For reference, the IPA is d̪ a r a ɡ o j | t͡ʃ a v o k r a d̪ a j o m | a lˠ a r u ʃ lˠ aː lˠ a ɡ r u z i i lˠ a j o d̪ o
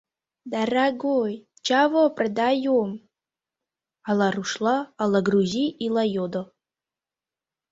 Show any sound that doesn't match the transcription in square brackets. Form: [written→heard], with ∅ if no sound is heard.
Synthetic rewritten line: d̪ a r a ɡ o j | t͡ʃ a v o [k→p] r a d̪ a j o m | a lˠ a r u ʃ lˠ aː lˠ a ɡ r u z i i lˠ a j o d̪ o